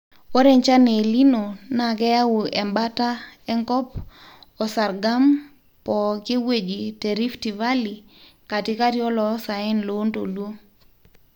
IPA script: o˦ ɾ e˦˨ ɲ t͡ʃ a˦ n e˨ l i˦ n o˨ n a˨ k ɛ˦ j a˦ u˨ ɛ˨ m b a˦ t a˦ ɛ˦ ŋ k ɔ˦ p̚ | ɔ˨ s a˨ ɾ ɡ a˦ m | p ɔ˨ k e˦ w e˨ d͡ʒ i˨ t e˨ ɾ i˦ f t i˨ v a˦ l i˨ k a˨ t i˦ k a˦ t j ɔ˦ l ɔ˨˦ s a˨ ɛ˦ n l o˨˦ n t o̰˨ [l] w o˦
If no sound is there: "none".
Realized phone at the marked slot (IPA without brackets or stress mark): l